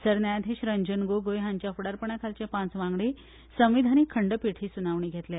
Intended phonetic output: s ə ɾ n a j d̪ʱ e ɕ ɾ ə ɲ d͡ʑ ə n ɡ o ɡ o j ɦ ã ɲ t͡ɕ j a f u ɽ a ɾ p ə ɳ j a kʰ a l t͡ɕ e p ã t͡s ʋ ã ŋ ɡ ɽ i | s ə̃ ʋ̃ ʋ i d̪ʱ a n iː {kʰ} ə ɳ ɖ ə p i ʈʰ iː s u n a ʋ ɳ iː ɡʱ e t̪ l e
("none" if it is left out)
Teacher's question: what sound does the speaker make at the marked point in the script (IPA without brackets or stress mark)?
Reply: kʰ